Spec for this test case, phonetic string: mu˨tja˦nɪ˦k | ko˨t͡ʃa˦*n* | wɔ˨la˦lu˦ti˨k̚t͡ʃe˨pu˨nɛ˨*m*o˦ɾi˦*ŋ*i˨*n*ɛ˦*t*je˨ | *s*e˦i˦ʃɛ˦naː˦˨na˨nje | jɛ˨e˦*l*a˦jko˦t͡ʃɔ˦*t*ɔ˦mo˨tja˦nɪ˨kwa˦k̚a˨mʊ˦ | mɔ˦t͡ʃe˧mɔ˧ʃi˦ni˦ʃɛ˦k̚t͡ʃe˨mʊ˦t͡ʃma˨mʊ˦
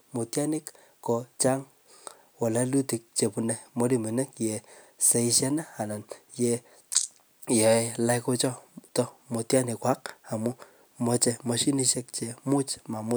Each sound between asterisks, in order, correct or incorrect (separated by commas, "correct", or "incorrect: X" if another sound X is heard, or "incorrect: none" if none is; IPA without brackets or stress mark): incorrect: ŋ, correct, incorrect: m, correct, incorrect: k, correct, correct, correct